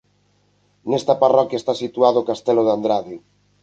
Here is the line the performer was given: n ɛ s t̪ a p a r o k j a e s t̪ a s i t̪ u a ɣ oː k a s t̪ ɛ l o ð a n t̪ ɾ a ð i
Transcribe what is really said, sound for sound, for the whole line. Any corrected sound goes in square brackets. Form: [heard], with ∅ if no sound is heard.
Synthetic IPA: n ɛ s t̪ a p a r [ɔ] k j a e s t̪ a s i t̪ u a [ð] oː k a s t̪ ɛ l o ð a n [d̪] ɾ a ð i